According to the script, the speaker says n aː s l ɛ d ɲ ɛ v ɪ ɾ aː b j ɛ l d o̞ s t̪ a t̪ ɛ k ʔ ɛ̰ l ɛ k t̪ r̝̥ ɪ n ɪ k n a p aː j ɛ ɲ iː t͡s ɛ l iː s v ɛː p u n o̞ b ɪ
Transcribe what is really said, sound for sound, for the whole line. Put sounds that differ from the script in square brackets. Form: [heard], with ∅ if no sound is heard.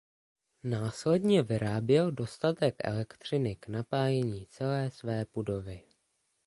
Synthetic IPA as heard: n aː s l ɛ d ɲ ɛ v ɪ ɾ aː b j ɛ l d o̞ s t̪ a t̪ ɛ k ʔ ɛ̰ l ɛ k t̪ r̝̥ ɪ n ɪ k n a p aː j ɛ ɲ iː t͡s ɛ l [ɛː] s v ɛː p u [d] o̞ [v] ɪ